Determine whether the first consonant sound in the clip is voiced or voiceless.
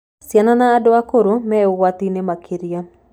voiceless